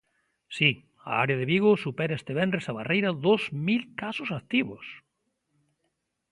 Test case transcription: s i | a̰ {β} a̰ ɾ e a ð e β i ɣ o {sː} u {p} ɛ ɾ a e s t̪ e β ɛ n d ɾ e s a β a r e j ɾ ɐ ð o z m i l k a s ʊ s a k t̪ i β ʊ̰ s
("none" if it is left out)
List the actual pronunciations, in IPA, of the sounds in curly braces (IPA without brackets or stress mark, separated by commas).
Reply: none, s, p